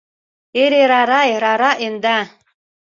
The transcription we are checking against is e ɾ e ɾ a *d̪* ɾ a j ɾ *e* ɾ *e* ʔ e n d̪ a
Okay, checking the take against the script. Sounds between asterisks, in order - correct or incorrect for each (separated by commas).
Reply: incorrect, incorrect, incorrect